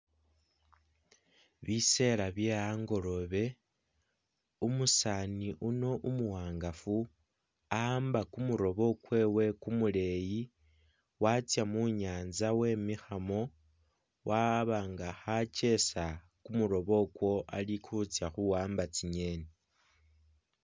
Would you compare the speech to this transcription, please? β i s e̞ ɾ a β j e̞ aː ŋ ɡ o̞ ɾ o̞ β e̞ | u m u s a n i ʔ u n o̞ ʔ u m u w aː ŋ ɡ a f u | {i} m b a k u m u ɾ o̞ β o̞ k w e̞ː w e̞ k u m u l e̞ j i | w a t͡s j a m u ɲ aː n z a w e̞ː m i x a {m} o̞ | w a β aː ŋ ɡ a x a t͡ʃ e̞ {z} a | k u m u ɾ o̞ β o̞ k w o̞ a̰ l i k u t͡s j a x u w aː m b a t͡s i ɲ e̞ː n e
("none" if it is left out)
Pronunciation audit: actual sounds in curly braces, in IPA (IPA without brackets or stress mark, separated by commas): a, m, s